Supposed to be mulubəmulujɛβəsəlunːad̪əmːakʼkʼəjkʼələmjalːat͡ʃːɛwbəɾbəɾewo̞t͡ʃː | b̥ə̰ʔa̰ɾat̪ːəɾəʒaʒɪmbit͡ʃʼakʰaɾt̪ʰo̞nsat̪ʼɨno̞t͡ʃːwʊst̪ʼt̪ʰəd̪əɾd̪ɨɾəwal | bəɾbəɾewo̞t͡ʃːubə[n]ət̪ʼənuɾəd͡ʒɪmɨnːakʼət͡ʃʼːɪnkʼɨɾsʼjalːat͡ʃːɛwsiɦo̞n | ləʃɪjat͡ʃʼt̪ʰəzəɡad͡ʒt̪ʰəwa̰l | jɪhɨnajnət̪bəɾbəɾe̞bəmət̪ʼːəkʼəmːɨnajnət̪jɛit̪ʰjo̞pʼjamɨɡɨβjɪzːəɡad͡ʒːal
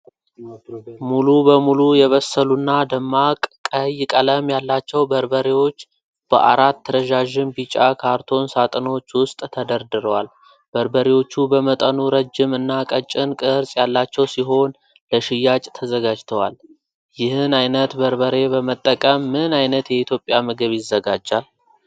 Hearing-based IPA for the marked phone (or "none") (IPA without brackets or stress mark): m